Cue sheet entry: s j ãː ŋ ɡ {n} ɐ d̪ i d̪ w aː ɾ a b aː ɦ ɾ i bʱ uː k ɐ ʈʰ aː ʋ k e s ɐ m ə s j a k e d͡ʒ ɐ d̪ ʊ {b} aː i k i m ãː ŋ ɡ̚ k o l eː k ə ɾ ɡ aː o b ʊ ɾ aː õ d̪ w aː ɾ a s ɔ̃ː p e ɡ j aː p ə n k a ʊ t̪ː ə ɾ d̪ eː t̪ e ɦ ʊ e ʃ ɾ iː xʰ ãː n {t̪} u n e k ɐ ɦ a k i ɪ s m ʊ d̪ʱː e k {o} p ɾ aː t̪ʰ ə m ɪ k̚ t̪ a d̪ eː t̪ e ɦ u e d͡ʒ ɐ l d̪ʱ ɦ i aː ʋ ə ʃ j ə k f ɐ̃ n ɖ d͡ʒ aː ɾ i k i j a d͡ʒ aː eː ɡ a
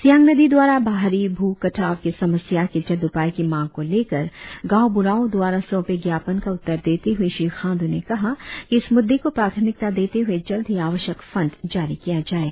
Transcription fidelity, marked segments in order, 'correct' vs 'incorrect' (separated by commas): correct, incorrect, incorrect, correct